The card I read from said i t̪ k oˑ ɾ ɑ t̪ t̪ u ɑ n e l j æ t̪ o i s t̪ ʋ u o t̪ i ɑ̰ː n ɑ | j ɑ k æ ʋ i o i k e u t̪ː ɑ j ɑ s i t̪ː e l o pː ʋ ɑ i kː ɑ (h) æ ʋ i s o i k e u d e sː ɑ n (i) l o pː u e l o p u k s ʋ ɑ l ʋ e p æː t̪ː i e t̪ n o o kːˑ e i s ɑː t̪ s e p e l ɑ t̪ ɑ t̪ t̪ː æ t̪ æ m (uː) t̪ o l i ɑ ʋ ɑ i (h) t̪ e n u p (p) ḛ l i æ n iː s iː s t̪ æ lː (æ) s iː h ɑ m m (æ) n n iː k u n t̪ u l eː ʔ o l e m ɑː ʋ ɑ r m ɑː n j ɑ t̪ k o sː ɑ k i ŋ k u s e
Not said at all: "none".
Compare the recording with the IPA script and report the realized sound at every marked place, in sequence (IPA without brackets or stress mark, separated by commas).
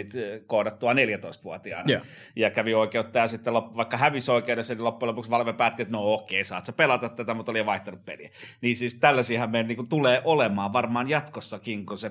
h, i, u, h, p, æ, e